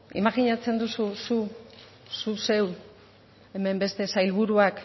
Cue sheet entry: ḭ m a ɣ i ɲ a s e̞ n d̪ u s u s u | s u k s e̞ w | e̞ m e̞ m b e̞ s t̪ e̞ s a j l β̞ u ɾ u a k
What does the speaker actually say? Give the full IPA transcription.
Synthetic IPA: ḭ m a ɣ i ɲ a t͡s e̞ n d̪ u s u s u | s u s e̞ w | e̞ m e̞ m b e̞ s t̪ e̞ s a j l β̞ u ɾ u a k